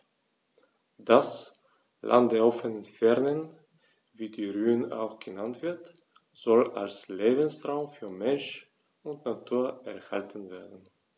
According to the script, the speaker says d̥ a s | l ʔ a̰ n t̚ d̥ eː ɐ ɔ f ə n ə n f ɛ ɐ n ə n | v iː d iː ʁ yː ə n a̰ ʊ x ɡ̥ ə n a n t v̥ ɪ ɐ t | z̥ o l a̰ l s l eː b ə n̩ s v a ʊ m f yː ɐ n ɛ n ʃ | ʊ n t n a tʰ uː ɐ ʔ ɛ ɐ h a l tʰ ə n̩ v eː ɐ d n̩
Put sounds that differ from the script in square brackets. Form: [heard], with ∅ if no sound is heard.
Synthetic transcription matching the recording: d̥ a s | l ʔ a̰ n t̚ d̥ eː ɐ ɔ f ə n ə n f ɛ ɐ n ə n | v iː d iː ʁ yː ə n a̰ ʊ x ɡ̥ ə n a n t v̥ ɪ ɐ t | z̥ [ɔ] l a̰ l s l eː b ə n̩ s [ʁ] a ʊ m f yː ɐ [m] ɛ n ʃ | ʊ n t n a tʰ uː ɐ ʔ ɛ ɐ h a l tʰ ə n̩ v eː ɐ d n̩